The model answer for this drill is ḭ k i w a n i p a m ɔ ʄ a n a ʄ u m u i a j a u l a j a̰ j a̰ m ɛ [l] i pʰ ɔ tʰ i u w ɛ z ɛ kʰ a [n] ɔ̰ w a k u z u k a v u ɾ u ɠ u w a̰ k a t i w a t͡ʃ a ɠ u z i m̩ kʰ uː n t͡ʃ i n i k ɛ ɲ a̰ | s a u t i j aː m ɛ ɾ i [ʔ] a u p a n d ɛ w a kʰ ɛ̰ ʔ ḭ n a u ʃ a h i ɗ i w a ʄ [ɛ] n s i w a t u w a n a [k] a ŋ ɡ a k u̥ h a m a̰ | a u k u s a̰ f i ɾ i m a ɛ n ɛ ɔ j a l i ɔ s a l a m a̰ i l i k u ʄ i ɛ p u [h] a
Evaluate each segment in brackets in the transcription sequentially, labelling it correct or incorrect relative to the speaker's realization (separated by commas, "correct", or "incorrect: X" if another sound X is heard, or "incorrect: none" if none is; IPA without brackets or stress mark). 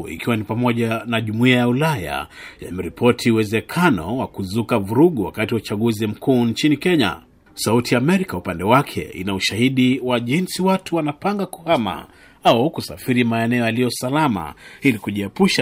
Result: incorrect: ɾ, correct, incorrect: k, incorrect: i, incorrect: p, incorrect: ʃ